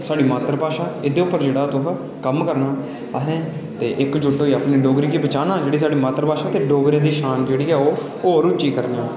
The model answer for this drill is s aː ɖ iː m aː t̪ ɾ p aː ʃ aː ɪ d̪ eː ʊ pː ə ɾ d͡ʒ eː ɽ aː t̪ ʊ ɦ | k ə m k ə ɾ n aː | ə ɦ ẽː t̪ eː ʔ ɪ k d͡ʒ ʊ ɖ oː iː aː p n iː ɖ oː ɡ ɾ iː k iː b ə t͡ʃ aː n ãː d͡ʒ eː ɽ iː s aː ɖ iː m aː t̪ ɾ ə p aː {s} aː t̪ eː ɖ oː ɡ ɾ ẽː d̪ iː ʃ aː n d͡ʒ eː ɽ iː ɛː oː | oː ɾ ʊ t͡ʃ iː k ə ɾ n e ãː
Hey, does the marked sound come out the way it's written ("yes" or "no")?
no